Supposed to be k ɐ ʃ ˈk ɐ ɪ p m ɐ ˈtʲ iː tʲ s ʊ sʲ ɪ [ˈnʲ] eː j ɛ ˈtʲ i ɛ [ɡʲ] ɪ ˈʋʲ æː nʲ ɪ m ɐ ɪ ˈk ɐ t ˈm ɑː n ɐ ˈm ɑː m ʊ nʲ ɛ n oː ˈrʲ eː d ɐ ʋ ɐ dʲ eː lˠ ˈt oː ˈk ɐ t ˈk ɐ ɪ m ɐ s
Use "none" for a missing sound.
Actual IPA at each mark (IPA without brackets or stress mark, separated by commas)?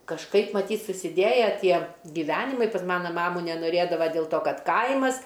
dʲ, ɡʲ